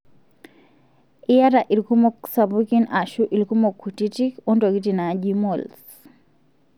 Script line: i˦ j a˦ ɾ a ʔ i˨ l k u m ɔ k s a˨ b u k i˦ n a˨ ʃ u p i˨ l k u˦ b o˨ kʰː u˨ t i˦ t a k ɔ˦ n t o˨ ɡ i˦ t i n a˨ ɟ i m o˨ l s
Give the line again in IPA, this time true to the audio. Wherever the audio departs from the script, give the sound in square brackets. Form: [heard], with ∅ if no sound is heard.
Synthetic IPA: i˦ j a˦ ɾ a ʔ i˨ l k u m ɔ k s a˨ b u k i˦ n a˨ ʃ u [ʔ] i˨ l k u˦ [m] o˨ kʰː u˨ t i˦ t [i] k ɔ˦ n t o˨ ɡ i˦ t i n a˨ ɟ i m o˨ l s